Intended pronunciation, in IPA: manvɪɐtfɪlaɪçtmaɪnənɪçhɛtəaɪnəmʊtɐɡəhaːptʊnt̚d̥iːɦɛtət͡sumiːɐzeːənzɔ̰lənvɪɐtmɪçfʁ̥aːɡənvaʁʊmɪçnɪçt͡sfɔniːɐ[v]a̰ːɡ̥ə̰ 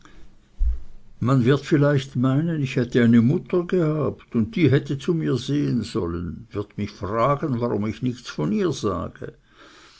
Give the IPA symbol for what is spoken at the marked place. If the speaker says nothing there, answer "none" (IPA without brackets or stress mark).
z